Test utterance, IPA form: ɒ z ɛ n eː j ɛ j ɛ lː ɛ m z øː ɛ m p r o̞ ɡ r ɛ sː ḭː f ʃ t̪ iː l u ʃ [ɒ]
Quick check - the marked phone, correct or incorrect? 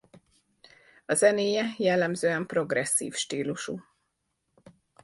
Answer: incorrect